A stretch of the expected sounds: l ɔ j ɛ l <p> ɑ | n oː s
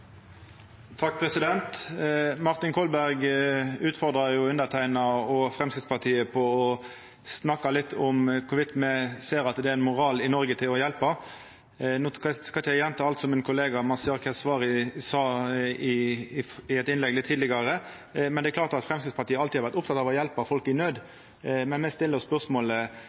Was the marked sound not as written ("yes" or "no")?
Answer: no